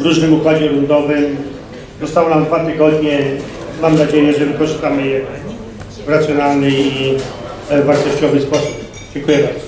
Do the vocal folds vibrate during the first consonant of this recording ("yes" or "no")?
yes